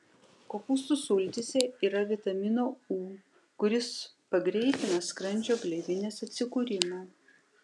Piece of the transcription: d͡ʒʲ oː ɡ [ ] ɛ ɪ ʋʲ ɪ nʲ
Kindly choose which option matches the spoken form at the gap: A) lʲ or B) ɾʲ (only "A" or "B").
A